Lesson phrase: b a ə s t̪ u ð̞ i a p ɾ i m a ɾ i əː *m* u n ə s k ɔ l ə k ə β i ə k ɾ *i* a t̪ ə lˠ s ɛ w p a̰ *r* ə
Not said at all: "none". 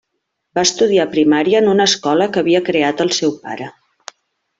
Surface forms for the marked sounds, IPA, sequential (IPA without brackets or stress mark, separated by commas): n, e, ɾ